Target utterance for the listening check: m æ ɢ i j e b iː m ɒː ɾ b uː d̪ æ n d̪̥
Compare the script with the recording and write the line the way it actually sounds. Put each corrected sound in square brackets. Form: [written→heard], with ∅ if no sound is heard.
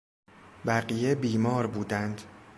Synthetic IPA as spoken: [m→b] æ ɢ i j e b iː m ɒː ɾ b uː d̪ æ n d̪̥